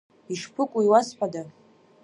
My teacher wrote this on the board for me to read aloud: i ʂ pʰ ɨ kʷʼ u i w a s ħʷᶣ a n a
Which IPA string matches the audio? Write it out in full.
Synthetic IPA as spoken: i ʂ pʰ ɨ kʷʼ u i w a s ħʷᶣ a d a